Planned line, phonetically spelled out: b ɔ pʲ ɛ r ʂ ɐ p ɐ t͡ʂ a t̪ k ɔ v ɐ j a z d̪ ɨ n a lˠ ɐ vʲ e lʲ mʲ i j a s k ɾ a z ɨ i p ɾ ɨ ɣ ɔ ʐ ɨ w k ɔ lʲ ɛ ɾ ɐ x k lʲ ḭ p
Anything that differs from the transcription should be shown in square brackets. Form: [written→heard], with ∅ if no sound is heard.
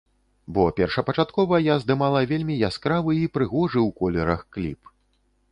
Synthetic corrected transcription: b ɔ pʲ ɛ r ʂ ɐ p ɐ t͡ʂ a t̪ k ɔ v ɐ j a z d̪ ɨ [n→m] a lˠ ɐ vʲ e lʲ mʲ i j a s k ɾ a [z→v] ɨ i p ɾ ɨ ɣ ɔ ʐ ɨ w k ɔ lʲ ɛ ɾ ɐ x k lʲ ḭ p